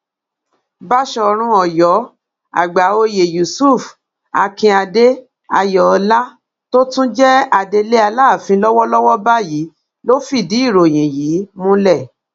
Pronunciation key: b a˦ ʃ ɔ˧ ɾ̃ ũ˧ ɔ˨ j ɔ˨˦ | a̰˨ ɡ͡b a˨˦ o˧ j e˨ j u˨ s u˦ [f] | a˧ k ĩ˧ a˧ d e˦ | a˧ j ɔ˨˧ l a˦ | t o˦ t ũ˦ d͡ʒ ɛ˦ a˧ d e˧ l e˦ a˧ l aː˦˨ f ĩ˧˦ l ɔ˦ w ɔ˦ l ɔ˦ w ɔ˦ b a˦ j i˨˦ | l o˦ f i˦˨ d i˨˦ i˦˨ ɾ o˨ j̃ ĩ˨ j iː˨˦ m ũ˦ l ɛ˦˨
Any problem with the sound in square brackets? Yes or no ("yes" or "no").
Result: no